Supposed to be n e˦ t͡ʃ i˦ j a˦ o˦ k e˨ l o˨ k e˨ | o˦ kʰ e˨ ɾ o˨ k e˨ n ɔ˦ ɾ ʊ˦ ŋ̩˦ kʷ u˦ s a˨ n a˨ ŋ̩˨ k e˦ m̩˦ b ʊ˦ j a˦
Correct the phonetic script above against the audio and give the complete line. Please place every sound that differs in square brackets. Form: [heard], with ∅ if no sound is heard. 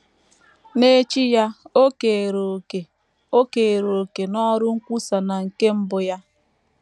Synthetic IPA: n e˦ t͡ʃ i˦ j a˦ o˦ k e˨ [ɾ] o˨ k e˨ | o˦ [k] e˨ ɾ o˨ k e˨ n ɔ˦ ɾ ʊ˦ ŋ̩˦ kʷ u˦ s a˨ n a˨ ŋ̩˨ k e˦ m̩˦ b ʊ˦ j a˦